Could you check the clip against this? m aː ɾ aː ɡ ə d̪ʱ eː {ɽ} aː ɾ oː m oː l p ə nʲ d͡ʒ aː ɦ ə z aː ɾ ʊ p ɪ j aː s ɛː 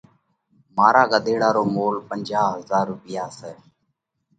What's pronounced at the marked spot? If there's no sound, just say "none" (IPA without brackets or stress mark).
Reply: ɽ